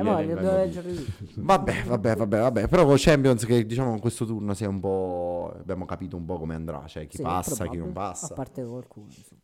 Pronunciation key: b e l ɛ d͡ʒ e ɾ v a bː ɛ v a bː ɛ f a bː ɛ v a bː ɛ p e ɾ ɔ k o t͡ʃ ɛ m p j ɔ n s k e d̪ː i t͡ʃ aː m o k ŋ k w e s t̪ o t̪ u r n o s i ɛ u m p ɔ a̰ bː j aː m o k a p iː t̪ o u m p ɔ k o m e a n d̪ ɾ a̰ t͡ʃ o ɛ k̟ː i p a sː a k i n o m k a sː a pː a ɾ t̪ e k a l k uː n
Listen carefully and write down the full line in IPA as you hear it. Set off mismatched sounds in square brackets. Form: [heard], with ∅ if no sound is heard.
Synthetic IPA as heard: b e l ɛ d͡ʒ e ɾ v a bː ɛ v a bː ɛ [v] a bː ɛ v a bː ɛ p e ɾ ɔ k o t͡ʃ ɛ m p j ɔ n s k e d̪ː i t͡ʃ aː m o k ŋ k w e s t̪ o t̪ u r n o s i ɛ u m p ɔ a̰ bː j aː m o k a p iː t̪ o u m p ɔ k o m e a n d̪ ɾ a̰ t͡ʃ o ɛ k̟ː i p a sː a k i n o m [p] a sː a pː a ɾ t̪ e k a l k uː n